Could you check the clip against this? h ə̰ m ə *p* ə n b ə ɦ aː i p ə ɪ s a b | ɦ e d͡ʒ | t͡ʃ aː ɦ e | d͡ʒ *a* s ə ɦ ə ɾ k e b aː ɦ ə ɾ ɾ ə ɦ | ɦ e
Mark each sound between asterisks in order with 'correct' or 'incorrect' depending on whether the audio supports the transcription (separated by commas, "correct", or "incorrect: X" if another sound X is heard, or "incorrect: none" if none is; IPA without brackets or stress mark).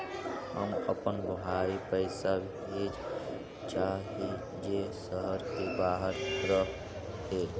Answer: correct, incorrect: e